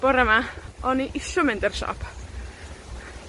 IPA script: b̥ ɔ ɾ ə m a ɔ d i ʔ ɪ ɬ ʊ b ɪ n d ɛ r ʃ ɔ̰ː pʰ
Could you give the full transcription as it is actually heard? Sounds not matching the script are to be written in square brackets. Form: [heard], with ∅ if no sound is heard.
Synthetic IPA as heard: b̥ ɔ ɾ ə m a ɔ [n] i ʔ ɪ ɬ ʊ [m] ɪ n d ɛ r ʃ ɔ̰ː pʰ